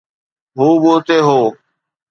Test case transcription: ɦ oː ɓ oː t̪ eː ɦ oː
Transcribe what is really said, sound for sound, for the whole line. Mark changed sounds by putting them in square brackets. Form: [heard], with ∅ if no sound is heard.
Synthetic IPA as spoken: ɦ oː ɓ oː t̪ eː ɦ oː